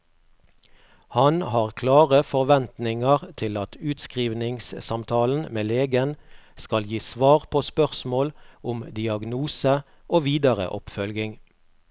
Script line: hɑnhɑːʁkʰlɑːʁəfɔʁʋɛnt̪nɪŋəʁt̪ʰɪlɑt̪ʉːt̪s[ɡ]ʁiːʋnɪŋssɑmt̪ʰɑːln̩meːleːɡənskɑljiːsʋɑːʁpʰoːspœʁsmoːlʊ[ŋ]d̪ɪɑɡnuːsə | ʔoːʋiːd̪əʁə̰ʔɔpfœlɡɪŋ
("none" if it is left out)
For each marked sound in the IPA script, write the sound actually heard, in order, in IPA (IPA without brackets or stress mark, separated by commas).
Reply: k, m